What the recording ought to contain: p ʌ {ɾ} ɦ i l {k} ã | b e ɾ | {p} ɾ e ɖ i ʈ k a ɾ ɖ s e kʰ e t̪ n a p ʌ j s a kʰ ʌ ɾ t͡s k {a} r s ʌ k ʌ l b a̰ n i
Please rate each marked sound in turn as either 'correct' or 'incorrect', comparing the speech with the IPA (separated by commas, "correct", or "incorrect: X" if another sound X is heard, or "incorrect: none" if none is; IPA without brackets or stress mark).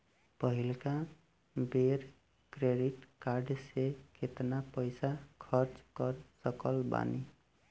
incorrect: none, correct, incorrect: k, incorrect: ʌ